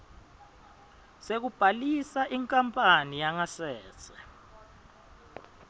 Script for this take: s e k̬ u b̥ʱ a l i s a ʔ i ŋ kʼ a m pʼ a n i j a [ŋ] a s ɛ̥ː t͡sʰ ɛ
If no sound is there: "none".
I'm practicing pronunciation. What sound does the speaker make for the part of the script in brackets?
ŋ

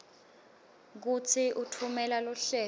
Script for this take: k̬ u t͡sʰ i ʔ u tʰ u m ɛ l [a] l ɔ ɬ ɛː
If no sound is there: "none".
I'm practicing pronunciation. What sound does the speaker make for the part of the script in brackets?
a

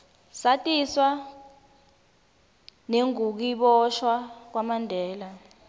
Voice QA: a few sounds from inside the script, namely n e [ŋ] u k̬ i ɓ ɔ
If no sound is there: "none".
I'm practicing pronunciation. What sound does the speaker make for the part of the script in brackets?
ŋ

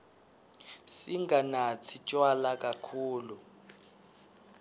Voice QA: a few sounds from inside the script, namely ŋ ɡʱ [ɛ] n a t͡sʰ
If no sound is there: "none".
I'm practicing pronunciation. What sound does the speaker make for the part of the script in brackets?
a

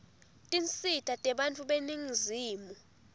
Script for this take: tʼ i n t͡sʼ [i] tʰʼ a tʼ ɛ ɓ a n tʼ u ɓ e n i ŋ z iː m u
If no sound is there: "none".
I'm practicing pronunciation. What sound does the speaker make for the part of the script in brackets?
i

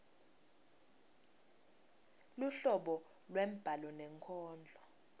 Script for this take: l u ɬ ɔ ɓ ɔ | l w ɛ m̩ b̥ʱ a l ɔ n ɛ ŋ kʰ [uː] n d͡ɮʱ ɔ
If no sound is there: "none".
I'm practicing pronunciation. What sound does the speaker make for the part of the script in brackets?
ɔː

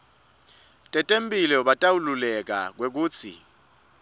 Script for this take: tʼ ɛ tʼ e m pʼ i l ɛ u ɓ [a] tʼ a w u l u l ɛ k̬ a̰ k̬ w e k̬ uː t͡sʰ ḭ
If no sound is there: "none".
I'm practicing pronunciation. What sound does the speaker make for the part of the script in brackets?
a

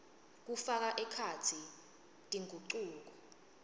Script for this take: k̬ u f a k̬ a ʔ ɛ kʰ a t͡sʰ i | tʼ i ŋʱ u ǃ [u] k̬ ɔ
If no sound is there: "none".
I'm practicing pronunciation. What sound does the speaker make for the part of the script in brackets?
uː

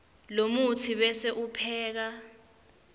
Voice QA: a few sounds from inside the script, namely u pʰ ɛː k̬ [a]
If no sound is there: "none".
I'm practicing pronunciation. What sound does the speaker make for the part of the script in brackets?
a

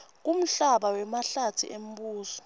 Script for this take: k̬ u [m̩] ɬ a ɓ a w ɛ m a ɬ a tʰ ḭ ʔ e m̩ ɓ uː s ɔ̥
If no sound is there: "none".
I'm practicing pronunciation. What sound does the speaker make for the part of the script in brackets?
m̩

